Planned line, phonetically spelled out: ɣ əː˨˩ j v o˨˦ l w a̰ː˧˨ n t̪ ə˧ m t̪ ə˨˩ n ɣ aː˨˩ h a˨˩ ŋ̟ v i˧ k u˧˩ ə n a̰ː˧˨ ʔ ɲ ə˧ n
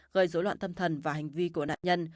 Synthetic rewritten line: ɣ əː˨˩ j z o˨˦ l w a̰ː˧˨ n t̪ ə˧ m t̪ʰ ə˨˩ n v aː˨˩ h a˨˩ ŋ̟ v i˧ k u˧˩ ə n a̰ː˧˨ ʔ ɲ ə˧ n